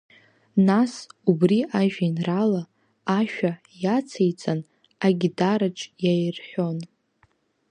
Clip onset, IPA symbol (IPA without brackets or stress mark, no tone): n